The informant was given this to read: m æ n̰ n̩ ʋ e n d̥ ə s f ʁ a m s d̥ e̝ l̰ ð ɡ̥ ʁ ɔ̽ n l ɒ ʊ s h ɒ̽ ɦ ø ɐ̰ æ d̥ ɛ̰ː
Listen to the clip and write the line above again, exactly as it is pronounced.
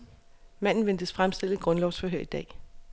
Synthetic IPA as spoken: m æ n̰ n̩ ʋ e n d̥ ə s f ʁ a m s d̥ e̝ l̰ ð ɡ̥ ʁ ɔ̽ n l ɒ ʊ s f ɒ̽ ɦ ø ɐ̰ i d̥ ɛ̰ː